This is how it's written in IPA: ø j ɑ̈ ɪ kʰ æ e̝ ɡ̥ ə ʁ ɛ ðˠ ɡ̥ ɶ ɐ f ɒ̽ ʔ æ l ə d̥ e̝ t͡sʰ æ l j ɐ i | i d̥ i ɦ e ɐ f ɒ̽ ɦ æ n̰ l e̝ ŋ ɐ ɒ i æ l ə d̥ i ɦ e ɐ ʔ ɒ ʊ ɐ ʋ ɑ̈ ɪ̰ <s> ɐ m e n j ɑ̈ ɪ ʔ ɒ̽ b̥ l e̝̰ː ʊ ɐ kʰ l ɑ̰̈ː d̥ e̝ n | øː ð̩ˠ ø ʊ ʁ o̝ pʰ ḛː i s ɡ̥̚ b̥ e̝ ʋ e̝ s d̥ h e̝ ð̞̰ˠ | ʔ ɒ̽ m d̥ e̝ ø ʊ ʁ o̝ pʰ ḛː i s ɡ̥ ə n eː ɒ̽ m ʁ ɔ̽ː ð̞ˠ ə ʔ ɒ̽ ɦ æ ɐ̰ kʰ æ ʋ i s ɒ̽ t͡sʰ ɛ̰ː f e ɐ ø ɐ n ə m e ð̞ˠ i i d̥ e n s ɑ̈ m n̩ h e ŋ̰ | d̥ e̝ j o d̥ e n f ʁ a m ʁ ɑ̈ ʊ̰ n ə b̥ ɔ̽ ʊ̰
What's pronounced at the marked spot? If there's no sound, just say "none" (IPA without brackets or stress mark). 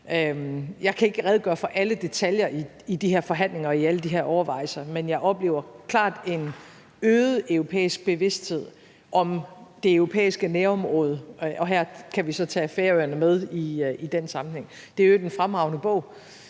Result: s